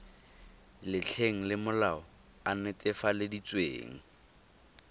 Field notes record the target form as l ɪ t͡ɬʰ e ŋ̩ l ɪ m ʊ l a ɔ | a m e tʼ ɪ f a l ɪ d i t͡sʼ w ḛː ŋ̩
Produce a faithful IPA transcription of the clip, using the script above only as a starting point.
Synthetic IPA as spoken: l ɪ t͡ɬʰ e ŋ̩ l ɪ m ʊ l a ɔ | a n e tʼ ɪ f a l ɪ d i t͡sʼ w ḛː ŋ̩